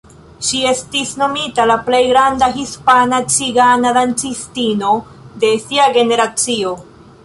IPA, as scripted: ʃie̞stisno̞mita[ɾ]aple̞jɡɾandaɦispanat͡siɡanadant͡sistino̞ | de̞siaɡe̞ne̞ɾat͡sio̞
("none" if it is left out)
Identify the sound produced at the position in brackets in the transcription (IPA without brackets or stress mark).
l